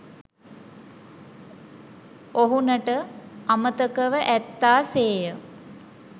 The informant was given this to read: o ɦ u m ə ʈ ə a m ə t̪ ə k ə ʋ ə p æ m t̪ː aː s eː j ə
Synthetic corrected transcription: o ɦ u n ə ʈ ə a m ə t̪ ə k ə ʋ ə ʔ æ t̪ː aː s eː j ə